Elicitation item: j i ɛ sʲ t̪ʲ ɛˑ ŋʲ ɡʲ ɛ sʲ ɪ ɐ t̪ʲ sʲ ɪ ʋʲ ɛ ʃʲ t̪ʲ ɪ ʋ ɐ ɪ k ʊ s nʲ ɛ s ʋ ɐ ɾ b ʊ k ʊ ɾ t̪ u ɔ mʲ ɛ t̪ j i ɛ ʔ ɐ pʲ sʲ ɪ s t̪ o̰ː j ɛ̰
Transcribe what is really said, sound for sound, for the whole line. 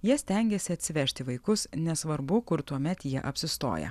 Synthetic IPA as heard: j i ɛ sʲ t̪ʲ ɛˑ ŋʲ ɡʲ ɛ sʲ ɪ ɐ t̪ʲ sʲ ɪ ʋʲ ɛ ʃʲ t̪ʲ ɪ ʋ ɐ ɪ k ʊ s nʲ ɛ s ʋ ɐ ɾ b ʊ k ʊ ɾ t̪ u ɔ mʲ ɛ t̪ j i ɛ ʔ ɐ pʲ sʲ ɪ s t̪ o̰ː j ɛ̰